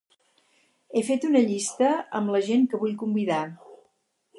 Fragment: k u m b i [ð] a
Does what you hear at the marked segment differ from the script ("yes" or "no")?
no